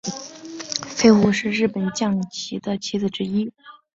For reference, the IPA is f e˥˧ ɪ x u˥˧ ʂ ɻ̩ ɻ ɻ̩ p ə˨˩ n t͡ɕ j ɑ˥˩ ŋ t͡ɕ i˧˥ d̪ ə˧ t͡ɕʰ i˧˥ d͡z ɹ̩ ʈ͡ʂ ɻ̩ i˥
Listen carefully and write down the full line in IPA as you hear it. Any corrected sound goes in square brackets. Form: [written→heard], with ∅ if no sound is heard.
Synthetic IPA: f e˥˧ ɪ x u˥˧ ʂ ɻ̩ ɻ ɻ̩ p ə˨˩ n t͡ɕ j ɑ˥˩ ŋ [t͡ɕ→t͡ɕʰ] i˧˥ d̪ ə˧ t͡ɕʰ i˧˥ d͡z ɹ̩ ʈ͡ʂ ɻ̩ i˥